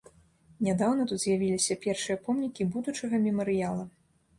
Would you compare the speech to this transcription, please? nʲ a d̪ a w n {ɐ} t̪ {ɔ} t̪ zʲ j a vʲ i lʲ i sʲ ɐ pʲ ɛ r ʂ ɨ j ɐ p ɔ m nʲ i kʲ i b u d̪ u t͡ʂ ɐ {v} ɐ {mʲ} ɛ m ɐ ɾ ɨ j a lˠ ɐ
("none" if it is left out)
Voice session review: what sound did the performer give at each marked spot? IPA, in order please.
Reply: ɐ, u, ɣ, mʲ

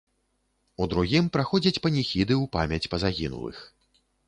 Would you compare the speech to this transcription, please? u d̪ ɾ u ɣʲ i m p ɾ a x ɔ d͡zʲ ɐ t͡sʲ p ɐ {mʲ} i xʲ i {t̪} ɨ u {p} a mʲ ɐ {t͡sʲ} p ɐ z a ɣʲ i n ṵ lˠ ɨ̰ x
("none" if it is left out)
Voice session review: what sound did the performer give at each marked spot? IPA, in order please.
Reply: nʲ, d̪, p, t͡sʲ

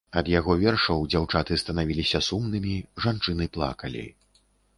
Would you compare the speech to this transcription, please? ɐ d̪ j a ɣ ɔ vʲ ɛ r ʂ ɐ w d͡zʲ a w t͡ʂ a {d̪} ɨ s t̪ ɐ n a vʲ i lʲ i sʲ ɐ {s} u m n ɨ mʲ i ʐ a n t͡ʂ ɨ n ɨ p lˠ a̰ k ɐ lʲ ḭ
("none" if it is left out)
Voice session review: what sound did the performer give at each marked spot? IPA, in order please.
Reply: t̪, s

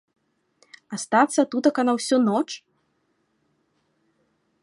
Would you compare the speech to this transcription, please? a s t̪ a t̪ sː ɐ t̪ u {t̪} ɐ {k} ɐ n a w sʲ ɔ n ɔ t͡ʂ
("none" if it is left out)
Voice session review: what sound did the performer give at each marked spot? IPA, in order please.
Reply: t̪, k

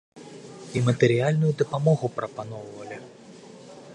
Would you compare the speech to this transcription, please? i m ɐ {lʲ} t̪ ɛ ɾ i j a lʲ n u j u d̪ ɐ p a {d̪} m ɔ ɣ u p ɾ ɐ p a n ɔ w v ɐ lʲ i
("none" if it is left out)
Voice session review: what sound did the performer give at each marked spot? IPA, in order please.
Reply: none, none

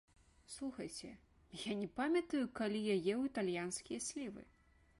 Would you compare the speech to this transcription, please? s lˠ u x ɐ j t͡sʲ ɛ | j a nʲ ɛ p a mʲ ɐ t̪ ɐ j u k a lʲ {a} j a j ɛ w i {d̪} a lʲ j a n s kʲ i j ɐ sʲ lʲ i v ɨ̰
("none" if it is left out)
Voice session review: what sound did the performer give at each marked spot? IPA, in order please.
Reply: i, t̪

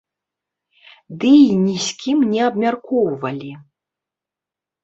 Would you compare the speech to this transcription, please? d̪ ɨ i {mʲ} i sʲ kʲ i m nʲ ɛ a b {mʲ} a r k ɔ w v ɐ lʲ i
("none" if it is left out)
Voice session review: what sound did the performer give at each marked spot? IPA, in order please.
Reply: nʲ, mʲ

